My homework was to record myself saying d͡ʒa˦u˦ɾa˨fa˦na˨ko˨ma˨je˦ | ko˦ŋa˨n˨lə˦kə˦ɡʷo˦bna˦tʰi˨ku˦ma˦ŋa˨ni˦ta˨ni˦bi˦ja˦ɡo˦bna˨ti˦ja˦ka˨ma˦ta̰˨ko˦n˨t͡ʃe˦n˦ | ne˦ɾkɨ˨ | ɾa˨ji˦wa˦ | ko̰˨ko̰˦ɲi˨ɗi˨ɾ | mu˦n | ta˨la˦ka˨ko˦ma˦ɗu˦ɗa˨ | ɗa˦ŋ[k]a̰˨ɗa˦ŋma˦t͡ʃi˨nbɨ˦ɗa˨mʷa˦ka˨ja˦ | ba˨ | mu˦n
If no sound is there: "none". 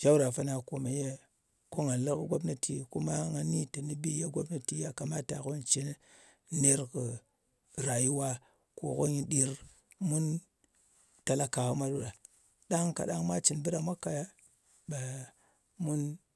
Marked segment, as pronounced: k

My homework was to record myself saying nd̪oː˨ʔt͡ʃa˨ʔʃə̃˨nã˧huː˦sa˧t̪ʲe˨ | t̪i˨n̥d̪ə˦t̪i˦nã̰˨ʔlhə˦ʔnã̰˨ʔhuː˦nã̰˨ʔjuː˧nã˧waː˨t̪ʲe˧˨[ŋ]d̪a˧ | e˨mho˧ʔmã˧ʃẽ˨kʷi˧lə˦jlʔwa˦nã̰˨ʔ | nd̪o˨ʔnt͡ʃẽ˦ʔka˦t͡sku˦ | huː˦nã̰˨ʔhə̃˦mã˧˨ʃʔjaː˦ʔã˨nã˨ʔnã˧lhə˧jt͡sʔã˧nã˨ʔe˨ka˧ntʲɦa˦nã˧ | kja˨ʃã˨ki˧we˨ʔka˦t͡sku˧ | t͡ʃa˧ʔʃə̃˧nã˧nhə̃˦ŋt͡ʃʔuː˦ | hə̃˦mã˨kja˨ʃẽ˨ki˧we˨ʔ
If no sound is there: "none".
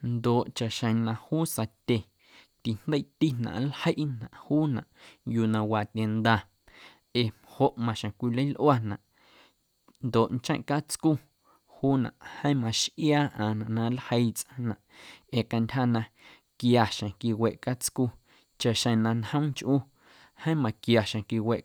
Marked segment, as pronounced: n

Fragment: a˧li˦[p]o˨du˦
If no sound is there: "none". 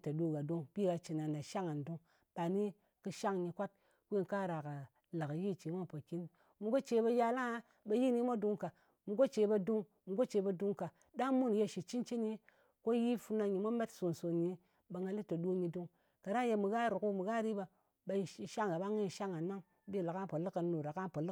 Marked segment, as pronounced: t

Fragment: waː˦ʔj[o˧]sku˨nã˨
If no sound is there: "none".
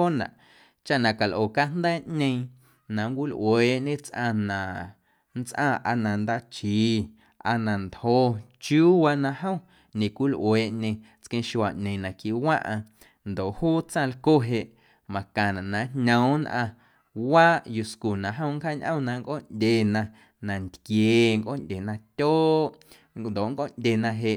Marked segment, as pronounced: u˧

